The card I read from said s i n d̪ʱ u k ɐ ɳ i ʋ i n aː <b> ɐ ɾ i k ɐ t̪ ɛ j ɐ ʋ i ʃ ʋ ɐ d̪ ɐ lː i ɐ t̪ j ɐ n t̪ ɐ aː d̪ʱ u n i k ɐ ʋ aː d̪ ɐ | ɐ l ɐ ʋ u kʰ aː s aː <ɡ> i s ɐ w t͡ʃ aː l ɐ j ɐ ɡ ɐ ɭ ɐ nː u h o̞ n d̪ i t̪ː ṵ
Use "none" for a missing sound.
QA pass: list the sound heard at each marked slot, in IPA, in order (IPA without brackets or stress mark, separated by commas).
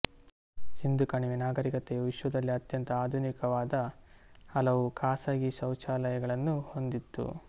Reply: ɡ, ɡ